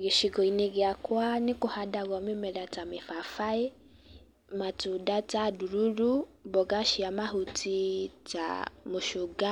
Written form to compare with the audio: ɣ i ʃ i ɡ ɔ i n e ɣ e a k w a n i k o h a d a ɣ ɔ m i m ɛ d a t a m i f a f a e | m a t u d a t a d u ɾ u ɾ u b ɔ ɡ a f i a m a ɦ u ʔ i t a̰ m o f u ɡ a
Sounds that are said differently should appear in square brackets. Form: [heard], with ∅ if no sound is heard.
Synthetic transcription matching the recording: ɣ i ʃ i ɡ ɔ i n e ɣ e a k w a n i k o h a d a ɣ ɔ m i m ɛ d a t a m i f a f a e | m a t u d a t a d u ɾ u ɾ u b ɔ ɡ a [ʃ] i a m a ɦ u [t] i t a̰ m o [ʃ] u ɡ a